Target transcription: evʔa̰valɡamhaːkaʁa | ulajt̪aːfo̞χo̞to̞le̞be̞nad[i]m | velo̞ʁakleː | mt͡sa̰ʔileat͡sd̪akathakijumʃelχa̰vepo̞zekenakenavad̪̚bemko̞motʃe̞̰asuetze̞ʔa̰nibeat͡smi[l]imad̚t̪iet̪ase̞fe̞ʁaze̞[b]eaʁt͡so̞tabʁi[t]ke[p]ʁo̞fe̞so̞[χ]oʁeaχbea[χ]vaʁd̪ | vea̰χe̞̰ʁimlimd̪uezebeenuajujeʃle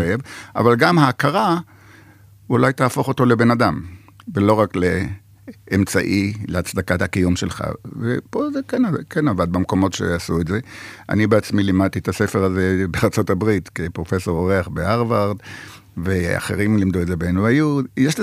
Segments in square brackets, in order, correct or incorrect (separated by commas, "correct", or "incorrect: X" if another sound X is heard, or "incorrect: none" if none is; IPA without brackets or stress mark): incorrect: a, correct, correct, correct, correct, incorrect: ʁ, incorrect: ʁ